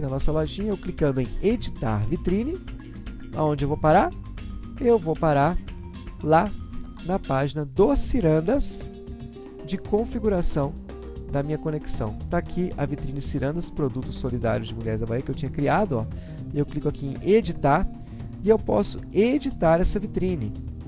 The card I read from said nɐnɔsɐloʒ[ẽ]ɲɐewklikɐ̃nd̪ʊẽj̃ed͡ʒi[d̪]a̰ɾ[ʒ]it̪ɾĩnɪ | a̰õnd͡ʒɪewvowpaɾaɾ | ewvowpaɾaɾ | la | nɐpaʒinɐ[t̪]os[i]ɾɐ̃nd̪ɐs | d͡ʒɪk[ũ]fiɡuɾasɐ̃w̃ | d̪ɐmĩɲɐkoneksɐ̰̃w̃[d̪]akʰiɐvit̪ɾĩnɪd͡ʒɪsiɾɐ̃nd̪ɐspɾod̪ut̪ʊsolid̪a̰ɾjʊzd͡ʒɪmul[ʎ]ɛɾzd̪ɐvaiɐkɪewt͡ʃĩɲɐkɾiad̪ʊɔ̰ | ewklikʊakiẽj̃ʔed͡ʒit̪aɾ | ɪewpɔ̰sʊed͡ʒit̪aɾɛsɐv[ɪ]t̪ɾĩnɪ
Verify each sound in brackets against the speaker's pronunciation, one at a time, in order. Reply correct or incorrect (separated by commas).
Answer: incorrect, incorrect, incorrect, incorrect, correct, incorrect, incorrect, correct, incorrect